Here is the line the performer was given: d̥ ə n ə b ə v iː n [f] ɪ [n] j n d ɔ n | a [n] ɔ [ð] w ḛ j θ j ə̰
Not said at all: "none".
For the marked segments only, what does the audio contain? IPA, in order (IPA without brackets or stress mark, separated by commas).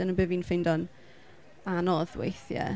f, none, n, ð